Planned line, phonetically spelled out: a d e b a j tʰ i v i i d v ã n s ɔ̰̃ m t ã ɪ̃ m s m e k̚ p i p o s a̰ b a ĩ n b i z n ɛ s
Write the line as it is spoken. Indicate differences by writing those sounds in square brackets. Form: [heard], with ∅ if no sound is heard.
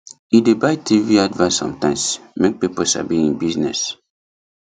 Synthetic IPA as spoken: [i] d e b a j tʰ i v i [a] d v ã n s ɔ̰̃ m t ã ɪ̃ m s m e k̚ p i p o s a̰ b [i] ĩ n b i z n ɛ s